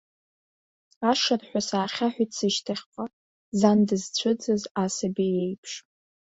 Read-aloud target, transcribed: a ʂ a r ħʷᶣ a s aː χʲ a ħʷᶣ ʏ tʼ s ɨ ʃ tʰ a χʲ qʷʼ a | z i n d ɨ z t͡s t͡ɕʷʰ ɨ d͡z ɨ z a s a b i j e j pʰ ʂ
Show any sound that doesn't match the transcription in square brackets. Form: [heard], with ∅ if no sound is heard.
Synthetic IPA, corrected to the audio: a ʂ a r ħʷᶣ a s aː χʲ a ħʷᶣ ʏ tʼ s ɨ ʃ tʰ a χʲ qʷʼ a | z [a] n d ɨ z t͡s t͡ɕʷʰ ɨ d͡z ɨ z a s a b i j e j pʰ ʂ